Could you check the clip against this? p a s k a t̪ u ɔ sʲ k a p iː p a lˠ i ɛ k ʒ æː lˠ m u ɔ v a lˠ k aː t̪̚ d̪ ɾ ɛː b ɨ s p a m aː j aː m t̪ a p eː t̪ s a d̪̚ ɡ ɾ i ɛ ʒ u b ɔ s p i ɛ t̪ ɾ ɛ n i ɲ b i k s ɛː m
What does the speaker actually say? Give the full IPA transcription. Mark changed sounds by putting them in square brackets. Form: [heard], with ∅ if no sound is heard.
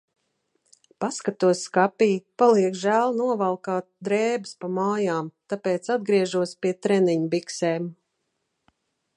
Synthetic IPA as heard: p a s k a t̪ u ɔ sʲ k a p iː p a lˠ i ɛ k ʒ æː lˠ [n] u ɔ v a lˠ k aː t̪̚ d̪ ɾ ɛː b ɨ s p a m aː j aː m t̪ a p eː t̪ s a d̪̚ ɡ ɾ i ɛ ʒ u [∅] ɔ s p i ɛ t̪ ɾ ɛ n i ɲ b i k s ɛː m